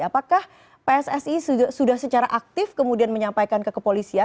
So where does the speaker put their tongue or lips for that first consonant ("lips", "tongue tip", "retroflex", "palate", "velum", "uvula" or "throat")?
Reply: lips